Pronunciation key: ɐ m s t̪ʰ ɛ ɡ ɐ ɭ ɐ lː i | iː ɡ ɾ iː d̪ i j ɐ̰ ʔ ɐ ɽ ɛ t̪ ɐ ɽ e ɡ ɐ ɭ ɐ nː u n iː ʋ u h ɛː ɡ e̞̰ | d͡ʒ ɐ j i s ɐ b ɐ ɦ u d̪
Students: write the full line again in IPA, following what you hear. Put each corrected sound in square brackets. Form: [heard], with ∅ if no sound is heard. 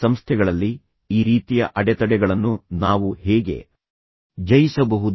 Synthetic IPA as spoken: ɐ m s t̪ʰ ɛ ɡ ɐ ɭ ɐ lː i | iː [∅] ɾ iː [t̪] i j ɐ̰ ʔ ɐ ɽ ɛ t̪ ɐ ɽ [ɛ] ɡ ɐ ɭ ɐ nː u n [aː] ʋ u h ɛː ɡ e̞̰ | d͡ʒ ɐ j i s ɐ b ɐ ɦ u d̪